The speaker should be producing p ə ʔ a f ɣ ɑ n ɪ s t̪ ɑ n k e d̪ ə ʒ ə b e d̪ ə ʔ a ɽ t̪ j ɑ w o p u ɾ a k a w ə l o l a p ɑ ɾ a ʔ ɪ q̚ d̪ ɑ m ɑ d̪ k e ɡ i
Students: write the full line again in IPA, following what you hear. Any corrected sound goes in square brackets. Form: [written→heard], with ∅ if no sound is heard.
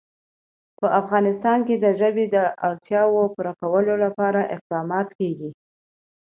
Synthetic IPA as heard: p ə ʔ a f ɣ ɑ n ɪ s t̪ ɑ n k e d̪ ə ʒ ə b e d̪ ə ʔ a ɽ t̪ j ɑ w o p u ɾ a k a w ə l o l a p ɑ ɾ a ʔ ɪ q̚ d̪ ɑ m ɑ [d̪→t̪] k e ɡ i